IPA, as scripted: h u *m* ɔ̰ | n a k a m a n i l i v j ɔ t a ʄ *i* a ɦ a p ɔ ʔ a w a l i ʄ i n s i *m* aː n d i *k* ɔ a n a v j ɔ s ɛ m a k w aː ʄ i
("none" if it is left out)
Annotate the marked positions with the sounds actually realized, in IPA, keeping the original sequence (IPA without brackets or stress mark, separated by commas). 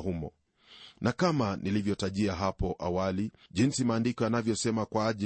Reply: m, i, m, k